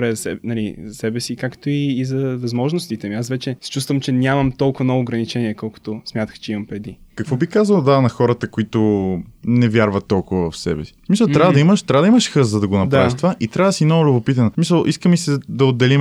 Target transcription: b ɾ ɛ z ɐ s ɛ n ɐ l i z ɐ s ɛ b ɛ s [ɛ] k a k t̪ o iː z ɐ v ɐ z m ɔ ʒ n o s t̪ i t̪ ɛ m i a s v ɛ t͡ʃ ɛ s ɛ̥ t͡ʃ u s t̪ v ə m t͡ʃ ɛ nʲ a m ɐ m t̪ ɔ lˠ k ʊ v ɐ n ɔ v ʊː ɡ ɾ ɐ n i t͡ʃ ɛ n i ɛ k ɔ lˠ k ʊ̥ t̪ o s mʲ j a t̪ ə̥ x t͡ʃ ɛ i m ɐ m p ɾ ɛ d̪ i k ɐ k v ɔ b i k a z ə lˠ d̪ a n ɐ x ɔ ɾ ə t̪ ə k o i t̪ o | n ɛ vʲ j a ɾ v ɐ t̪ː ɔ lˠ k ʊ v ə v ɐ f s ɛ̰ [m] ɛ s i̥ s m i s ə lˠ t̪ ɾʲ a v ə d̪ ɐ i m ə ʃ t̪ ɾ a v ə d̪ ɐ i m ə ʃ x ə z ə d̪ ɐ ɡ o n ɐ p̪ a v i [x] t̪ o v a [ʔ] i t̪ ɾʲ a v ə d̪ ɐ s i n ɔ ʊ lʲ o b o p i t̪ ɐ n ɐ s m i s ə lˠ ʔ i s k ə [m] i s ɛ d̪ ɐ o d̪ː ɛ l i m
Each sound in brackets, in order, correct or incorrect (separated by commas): incorrect, incorrect, incorrect, correct, correct